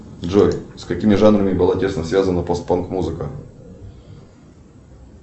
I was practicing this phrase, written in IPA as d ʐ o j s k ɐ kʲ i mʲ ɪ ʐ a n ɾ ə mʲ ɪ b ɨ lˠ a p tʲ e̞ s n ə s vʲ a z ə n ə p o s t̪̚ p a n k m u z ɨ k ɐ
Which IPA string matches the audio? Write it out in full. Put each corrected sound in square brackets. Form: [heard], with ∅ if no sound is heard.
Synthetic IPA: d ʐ o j s k ɐ kʲ i mʲ ɪ ʐ a n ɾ ə mʲ ɪ b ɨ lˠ a [∅] tʲ e̞ s n ə s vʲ a z ə n ə p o s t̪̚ p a n k m u z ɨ k [ə]